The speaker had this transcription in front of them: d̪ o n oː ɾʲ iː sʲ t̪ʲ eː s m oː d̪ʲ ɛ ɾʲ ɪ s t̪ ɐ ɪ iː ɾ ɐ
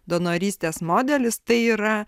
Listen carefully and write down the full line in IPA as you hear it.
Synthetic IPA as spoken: d̪ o n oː ɾʲ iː sʲ t̪ʲ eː s m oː d̪ʲ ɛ lʲ ɪ s t̪ ɐ ɪ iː ɾ ɐ